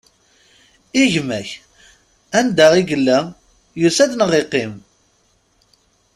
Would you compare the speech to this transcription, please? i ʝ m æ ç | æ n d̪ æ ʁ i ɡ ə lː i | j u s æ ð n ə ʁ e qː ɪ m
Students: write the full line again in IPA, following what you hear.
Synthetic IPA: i ʝ m æ ç | æ n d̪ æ ʁ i ɡ ə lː æ | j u s æ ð n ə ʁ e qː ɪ m